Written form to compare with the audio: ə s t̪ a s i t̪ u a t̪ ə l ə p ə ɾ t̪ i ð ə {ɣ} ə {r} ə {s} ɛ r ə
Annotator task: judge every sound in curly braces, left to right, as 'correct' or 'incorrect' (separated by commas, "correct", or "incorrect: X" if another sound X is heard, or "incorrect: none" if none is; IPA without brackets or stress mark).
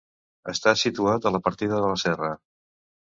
incorrect: ð, incorrect: l, correct